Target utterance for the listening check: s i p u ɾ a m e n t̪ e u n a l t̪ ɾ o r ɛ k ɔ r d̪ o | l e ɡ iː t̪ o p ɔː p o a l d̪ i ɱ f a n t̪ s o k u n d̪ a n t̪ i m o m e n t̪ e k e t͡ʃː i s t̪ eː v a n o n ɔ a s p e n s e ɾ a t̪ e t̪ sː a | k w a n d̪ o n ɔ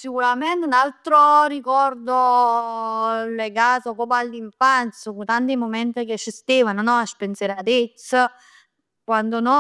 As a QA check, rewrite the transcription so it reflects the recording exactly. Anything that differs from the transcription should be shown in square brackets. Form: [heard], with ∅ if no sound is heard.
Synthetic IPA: s i [k] u ɾ a m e n t̪ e u n a l t̪ ɾ o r [i] k ɔ r d̪ o | l e ɡ [aː] t̪ o [k] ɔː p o a l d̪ i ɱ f a n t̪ s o k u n [t̪] a n t̪ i m o m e n t̪ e k e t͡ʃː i s t̪ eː v a n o n ɔ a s p e n s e ɾ a t̪ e t̪ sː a | k w a n d̪ o n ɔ